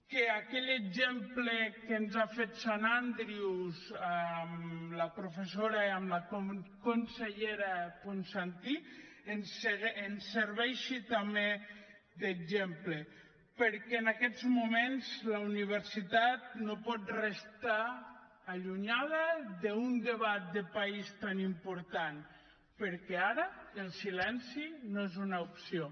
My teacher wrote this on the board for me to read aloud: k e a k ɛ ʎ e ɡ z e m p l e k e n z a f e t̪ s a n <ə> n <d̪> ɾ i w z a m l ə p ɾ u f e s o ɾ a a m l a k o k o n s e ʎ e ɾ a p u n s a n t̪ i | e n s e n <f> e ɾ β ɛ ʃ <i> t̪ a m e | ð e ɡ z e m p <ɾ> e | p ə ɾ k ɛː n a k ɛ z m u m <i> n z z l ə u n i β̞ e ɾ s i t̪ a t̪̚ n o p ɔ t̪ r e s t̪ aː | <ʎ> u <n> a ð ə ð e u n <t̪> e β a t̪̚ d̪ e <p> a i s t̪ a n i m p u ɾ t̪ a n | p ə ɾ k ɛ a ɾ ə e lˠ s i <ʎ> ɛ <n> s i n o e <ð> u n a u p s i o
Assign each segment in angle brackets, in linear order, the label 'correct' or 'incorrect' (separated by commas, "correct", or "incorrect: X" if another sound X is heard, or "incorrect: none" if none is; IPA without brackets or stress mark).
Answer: incorrect: a, correct, incorrect: s, correct, incorrect: l, incorrect: e, correct, incorrect: ɲ, incorrect: d̪, correct, incorrect: l, correct, incorrect: z